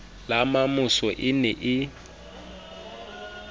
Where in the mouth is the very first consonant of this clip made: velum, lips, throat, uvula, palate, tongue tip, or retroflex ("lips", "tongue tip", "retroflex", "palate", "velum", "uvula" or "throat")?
tongue tip